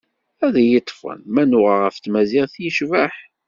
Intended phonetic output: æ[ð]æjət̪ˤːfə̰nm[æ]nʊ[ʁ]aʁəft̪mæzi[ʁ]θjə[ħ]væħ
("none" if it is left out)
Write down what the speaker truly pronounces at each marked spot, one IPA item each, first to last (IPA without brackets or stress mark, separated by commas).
ð, æ, ʁ, ʁ, ʃ